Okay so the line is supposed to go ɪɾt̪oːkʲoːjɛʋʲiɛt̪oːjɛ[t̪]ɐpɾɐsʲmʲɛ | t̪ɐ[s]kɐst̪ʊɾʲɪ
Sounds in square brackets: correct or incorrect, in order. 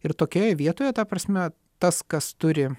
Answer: correct, correct

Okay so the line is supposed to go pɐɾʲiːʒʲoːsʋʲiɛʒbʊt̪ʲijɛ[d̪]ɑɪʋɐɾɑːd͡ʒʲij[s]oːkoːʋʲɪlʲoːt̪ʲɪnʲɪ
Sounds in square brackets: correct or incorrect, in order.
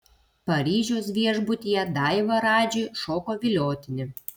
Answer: correct, incorrect: ʃ

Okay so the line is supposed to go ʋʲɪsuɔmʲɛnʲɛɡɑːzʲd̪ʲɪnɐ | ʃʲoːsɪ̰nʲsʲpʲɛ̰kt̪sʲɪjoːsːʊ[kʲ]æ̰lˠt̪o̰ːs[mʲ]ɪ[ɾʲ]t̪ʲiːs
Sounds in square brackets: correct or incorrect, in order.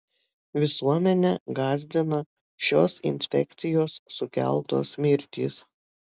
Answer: correct, correct, correct

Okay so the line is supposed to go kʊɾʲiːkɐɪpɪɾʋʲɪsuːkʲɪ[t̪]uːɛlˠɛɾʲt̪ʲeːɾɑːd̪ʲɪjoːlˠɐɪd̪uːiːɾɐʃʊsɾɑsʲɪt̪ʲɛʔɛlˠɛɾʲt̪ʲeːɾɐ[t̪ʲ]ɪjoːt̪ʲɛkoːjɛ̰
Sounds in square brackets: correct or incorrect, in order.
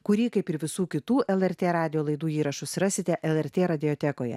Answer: correct, incorrect: d̪ʲ

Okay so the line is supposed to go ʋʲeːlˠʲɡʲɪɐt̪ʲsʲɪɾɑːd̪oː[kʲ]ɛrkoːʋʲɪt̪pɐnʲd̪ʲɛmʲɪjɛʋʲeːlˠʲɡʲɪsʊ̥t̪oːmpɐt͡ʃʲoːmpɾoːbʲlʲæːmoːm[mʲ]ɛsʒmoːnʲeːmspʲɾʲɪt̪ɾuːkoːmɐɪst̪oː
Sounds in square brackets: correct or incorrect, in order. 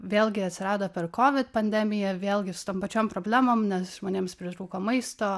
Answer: incorrect: pʲ, incorrect: nʲ

